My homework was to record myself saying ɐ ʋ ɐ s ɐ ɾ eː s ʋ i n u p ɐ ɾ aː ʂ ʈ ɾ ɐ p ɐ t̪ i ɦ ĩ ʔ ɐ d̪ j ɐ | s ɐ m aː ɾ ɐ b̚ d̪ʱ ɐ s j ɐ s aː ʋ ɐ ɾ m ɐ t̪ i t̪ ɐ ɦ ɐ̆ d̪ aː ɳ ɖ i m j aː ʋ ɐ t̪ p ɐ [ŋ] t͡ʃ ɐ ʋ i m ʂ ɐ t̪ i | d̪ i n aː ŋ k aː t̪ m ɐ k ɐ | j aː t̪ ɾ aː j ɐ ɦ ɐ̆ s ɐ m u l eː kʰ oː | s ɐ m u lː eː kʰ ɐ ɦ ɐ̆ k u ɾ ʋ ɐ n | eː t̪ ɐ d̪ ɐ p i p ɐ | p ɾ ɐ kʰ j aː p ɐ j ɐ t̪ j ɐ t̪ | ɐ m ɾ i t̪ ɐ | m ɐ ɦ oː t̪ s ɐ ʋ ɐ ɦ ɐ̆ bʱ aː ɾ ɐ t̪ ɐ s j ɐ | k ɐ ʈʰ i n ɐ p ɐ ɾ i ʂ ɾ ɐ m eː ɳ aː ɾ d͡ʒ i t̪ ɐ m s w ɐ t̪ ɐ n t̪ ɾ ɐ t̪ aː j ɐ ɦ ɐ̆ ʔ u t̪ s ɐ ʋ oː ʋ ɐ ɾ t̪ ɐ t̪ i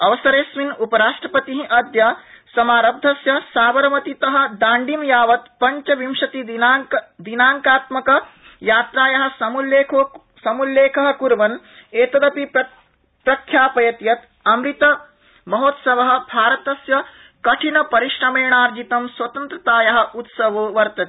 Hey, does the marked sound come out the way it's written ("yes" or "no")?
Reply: no